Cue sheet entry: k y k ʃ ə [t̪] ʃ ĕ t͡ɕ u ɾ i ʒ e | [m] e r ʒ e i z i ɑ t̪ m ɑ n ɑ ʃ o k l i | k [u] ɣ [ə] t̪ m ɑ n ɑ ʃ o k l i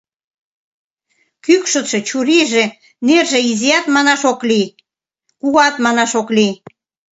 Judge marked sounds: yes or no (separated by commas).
yes, no, yes, no